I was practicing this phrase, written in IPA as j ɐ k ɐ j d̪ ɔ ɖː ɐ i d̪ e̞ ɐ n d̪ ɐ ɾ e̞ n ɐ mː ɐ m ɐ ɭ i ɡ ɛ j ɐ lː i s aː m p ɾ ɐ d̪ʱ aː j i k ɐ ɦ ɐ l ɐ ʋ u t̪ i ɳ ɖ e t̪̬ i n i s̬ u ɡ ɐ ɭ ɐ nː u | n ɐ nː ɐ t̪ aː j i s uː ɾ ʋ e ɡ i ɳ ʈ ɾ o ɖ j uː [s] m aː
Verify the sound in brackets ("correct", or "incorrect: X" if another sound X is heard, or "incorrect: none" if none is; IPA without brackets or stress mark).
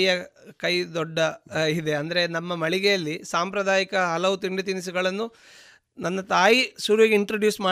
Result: correct